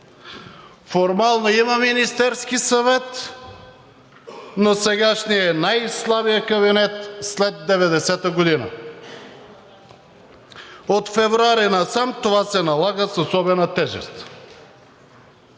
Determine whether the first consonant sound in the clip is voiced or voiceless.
voiceless